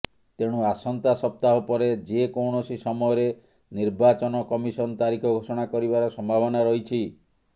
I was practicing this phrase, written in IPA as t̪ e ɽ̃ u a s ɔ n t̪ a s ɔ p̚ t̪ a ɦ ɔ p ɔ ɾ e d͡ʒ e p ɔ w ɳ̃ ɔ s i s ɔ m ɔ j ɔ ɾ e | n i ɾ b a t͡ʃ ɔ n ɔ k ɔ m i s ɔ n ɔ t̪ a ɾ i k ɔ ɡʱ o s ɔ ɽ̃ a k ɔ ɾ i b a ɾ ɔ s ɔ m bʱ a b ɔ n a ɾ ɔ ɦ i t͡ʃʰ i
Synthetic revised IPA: t̪ e ɽ̃ u a s ɔ n t̪ a s ɔ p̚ t̪ a ɦ ɔ p ɔ ɾ e d͡ʒ e k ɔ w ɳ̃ ɔ s i s ɔ m ɔ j ɔ ɾ e | n i ɾ b a t͡ʃ ɔ n ɔ k ɔ m i s ɔ n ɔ t̪ a ɾ i kʰ ɔ ɡʱ o s ɔ ɽ̃ a k ɔ ɾ i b a ɾ ɔ s ɔ m bʱ a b ɔ n a ɾ ɔ ɦ i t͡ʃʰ i